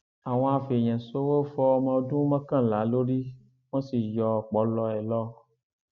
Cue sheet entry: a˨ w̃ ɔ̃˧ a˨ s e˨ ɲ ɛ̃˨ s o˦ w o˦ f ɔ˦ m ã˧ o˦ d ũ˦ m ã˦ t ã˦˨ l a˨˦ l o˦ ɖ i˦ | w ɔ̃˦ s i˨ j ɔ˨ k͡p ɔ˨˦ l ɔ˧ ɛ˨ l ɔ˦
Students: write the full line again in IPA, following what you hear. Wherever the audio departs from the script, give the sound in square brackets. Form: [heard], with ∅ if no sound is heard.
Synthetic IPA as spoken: a˨ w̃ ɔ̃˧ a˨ [f] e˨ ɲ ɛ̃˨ s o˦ w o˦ f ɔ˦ m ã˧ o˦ d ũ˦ m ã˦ [k] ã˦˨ l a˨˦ l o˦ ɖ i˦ | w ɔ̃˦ s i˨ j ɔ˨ k͡p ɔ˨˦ l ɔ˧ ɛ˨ l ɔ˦